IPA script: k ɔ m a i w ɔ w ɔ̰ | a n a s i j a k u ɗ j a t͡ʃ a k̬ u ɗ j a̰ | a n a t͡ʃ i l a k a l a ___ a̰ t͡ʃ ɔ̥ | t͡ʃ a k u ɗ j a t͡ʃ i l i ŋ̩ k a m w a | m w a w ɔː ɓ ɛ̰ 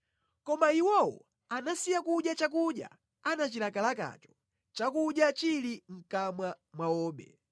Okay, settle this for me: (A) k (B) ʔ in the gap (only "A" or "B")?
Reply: A